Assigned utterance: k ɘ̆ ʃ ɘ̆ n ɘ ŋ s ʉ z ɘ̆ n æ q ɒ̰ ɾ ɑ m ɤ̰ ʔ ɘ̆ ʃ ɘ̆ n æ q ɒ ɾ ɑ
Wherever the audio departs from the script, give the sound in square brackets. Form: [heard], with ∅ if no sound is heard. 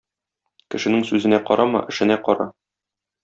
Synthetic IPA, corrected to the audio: k ɘ̆ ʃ ɘ̆ n ɘ ŋ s ʉ z ɘ̆ n æ q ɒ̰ ɾ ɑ m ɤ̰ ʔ ɘ̆ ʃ ɘ̆ n æ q ɒ ɾ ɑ